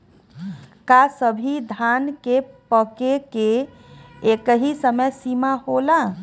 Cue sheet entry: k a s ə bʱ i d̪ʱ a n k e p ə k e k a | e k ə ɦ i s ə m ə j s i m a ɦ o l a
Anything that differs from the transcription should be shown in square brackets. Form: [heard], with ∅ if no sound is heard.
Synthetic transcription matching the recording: k a s ə bʱ i d̪ʱ a n k e p ə k e k [e] | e k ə ɦ i s ə m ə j s i m a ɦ o l a

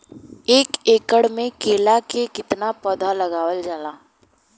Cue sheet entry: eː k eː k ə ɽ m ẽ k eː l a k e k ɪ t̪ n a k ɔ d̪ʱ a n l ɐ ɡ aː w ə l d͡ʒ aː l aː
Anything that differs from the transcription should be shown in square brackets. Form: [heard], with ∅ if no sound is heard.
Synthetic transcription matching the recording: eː k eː k ə ɽ m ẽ k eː l a k e k ɪ t̪ n a [p] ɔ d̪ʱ a [∅] l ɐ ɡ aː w ə l d͡ʒ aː l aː

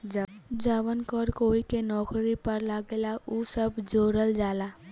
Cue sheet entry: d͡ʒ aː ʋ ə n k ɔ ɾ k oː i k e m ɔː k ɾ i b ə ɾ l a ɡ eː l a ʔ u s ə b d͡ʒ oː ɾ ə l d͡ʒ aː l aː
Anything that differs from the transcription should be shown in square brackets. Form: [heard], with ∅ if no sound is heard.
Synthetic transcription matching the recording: d͡ʒ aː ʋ ə n k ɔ ɾ k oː i k e [n] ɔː k ɾ i [p] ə ɾ l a ɡ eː l a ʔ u s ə b d͡ʒ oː ɾ ə l d͡ʒ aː l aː

